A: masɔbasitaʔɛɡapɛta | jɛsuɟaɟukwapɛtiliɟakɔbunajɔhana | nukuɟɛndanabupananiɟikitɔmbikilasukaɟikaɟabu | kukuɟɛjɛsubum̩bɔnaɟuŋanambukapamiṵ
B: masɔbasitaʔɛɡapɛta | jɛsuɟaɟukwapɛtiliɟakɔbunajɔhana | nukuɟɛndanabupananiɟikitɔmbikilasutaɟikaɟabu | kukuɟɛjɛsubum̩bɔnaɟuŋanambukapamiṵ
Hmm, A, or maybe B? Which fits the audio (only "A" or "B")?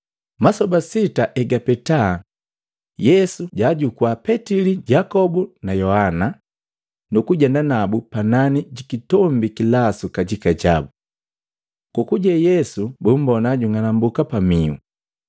A